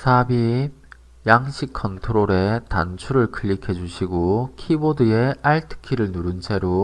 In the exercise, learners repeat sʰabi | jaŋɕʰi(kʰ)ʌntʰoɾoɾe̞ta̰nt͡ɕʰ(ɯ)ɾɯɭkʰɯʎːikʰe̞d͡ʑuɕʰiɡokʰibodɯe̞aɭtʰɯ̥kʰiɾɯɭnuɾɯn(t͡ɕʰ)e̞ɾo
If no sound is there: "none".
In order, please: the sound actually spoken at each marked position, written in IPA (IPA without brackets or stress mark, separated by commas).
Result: kʰ, u, t͡ɕʰ